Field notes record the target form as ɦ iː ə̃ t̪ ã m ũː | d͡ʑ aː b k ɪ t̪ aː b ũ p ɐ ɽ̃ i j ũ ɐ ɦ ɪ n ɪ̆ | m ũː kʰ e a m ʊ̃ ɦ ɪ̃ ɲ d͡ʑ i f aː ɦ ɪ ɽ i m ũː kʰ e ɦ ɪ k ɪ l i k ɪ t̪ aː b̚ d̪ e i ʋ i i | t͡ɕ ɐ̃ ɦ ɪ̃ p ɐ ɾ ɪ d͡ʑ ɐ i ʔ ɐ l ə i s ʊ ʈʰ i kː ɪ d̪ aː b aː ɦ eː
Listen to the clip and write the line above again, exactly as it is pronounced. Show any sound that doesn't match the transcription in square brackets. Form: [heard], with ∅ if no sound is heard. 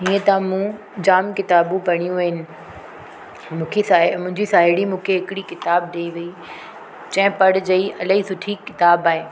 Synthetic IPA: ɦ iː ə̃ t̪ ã m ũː | d͡ʑ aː [m] k ɪ t̪ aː b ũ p ɐ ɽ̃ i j ũ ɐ ɦ ɪ n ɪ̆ | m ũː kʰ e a m ʊ̃ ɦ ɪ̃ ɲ d͡ʑ i [s] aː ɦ ɪ ɽ i m ũː kʰ e ɦ ɪ k ɪ [ɽ] i k ɪ t̪ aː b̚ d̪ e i ʋ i i | t͡ɕ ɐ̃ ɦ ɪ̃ p ɐ [ɽ] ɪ d͡ʑ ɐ i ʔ ɐ l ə i s ʊ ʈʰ i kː ɪ [t̪] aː b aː ɦ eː